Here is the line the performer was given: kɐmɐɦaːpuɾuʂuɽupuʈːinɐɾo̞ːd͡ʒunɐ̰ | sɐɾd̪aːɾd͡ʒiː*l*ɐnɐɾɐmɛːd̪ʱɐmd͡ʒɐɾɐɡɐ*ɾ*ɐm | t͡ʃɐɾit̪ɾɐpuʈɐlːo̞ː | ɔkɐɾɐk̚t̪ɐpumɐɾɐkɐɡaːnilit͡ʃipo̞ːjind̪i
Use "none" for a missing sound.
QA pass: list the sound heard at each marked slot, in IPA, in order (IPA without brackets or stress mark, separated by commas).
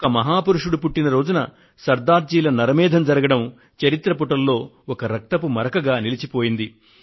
l, ɽ